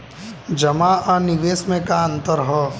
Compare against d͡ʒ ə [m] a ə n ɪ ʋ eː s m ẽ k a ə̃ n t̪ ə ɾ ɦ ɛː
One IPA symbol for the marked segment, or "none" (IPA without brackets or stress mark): m